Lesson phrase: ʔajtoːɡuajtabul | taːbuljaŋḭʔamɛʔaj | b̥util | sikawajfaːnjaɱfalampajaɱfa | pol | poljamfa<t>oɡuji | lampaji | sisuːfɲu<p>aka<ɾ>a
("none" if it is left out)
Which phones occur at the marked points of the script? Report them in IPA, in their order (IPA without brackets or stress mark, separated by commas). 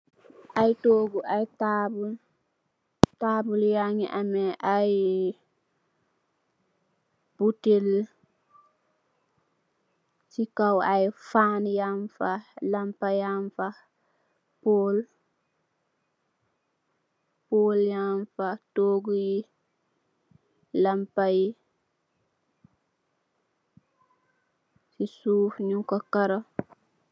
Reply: t, k, ɾ